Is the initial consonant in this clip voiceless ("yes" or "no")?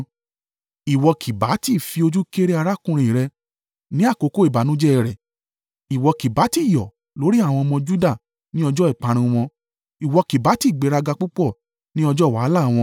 no